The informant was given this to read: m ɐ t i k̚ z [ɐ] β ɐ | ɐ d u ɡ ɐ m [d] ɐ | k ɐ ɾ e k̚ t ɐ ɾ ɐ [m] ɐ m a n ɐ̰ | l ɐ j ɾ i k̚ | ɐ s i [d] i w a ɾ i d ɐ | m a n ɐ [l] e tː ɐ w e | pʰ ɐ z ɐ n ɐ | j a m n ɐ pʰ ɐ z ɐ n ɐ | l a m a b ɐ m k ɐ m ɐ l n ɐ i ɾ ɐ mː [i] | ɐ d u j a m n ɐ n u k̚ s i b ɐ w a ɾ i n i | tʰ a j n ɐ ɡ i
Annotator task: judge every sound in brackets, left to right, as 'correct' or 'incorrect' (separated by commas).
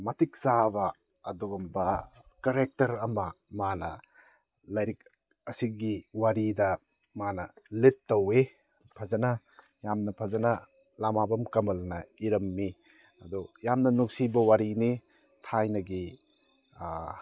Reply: incorrect, incorrect, correct, incorrect, correct, correct